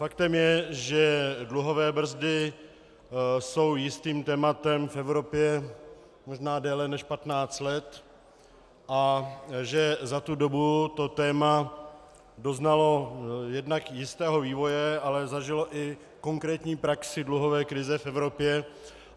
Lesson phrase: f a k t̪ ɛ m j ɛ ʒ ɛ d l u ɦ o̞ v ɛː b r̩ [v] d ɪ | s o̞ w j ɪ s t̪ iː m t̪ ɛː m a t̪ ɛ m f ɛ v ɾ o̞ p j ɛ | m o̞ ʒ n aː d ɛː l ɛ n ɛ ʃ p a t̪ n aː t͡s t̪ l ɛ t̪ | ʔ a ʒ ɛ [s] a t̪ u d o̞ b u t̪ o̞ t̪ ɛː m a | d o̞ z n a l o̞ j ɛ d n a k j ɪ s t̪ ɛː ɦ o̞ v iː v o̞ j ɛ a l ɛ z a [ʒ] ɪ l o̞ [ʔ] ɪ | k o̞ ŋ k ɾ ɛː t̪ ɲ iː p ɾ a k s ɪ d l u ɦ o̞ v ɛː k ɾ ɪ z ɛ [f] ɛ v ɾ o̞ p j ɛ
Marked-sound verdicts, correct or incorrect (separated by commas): incorrect, incorrect, correct, correct, correct